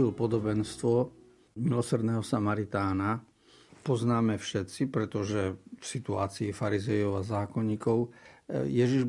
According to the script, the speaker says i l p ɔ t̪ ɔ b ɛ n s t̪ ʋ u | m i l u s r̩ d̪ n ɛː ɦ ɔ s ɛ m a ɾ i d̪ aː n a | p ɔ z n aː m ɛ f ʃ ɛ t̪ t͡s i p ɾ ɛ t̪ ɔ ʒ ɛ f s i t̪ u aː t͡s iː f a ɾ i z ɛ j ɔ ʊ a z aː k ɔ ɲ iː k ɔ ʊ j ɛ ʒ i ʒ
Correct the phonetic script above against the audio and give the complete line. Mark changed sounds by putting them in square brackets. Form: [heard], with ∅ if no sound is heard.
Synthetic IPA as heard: i l p ɔ [d̪] ɔ b ɛ n s t̪ ʋ [ɔ] | m i l [ɔ] s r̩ d̪ n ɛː ɦ ɔ s [a] m a ɾ i [t̪] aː n a | p ɔ z n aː m ɛ f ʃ ɛ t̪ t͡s i p ɾ ɛ t̪ ɔ ʒ ɛ f s i t̪ u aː t͡s iː f a ɾ i z ɛ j ɔ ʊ a z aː k ɔ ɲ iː k ɔ ʊ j ɛ ʒ i ʒ